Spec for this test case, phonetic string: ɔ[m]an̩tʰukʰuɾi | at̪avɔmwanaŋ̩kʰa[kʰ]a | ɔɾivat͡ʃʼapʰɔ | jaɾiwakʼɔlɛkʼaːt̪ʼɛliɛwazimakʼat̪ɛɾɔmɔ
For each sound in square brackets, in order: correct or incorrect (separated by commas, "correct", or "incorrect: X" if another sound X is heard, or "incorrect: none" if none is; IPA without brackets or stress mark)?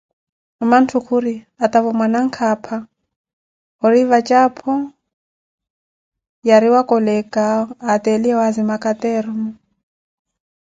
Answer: correct, incorrect: pʰ